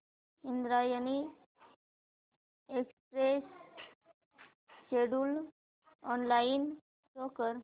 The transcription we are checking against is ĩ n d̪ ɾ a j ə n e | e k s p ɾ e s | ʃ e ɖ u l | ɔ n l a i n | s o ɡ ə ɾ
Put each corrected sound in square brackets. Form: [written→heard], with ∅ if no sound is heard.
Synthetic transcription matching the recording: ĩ n d̪ ɾ a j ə n [e→i] | e k s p ɾ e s | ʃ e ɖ u l | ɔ n l a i n | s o [ɡ→k] ə ɾ